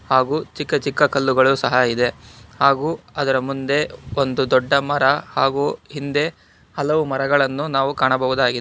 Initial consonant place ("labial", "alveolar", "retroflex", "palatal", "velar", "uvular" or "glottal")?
glottal